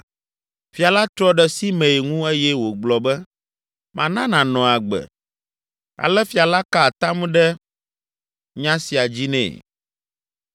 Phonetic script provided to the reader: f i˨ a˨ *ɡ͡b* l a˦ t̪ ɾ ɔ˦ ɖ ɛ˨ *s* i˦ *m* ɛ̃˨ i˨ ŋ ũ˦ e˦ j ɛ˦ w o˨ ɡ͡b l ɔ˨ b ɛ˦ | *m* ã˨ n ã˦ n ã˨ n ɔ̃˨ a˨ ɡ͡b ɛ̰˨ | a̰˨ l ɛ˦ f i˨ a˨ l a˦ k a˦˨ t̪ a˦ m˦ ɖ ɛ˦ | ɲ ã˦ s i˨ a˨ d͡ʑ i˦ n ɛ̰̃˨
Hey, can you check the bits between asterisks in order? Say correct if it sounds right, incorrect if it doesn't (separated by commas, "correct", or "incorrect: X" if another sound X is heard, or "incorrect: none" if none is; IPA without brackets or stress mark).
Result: incorrect: none, correct, correct, correct